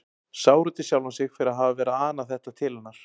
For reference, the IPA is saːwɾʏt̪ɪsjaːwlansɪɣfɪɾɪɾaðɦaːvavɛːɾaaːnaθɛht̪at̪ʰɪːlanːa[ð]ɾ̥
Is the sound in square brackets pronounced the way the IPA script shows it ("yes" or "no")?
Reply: no